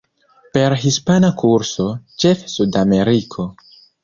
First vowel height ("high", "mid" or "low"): mid